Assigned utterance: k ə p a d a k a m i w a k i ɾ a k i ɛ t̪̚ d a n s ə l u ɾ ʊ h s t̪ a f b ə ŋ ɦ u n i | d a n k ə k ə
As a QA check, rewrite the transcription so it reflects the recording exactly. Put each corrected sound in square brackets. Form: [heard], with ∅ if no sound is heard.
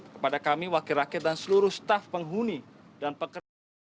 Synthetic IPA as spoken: k ə p a d a k a m i w a k i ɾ a k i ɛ t̪̚ d a n s ə l u ɾ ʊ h s t̪ a f [p] ə ŋ ɦ u n i | d a n [p] ə k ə